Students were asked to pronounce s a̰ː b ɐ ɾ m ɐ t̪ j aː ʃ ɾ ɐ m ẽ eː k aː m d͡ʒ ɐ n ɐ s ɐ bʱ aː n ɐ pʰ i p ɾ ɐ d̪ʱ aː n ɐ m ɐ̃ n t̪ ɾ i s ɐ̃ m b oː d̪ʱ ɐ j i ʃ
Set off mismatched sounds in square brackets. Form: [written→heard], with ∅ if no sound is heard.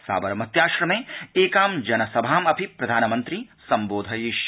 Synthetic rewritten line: s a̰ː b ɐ ɾ m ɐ t̪ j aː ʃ ɾ ɐ m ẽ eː k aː m d͡ʒ ɐ n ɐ s ɐ bʱ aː [n→m] ɐ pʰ i p ɾ ɐ d̪ʱ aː n ɐ m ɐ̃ n t̪ ɾ i s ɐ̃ m b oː d̪ʱ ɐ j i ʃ

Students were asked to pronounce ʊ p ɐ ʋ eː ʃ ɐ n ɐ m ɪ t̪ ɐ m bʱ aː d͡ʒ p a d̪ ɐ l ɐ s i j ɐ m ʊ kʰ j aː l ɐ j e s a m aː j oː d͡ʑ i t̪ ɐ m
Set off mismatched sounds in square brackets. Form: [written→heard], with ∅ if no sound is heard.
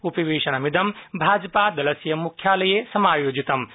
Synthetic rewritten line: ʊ p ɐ ʋ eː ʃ ɐ n ɐ m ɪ [t̪→d̪] ɐ m bʱ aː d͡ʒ p a d̪ ɐ l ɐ s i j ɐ m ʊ kʰ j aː l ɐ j e s [a→ɐ] m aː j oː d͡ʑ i t̪ ɐ m

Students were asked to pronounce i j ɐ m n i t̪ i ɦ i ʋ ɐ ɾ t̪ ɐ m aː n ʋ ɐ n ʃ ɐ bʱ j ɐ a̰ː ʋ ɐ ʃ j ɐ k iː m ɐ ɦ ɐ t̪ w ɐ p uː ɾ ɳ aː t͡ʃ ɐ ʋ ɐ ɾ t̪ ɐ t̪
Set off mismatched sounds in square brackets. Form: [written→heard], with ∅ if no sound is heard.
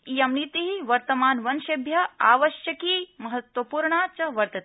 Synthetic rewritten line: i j ɐ m n i t̪ i ɦ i ʋ ɐ ɾ t̪ ɐ m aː n ʋ ɐ n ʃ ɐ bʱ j ɐ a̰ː ʋ ɐ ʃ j ɐ k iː m ɐ ɦ ɐ t̪ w ɐ p uː ɾ ɳ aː t͡ʃ ɐ ʋ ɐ ɾ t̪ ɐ t̪

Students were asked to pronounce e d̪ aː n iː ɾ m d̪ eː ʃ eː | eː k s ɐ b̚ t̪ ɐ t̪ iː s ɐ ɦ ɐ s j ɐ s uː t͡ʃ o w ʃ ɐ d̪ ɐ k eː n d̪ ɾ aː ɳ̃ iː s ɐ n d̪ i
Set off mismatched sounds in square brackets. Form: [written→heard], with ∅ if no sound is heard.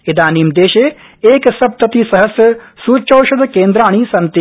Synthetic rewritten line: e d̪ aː n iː [ɾ→∅] m d̪ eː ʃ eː | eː k s ɐ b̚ t̪ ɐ t̪ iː s ɐ ɦ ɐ s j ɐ s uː t͡ʃ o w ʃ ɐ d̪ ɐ k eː n d̪ ɾ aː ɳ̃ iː s ɐ n [d̪→t̪] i

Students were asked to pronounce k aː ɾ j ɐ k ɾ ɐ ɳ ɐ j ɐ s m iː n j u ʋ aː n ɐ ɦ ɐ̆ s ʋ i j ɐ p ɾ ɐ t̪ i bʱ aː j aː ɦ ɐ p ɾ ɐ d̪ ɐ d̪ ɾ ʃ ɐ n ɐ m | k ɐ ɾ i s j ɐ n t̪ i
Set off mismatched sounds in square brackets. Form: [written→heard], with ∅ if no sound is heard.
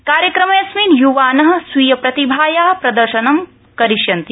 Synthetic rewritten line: k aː ɾ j ɐ k ɾ ɐ [ɳ→m] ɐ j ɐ s m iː n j u ʋ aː n ɐ ɦ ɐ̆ s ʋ i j ɐ p ɾ ɐ t̪ i bʱ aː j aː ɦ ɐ p ɾ ɐ d̪ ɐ [d̪→∅] ɾ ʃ ɐ n ɐ m | k ɐ ɾ i [s→ʃ] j ɐ n t̪ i

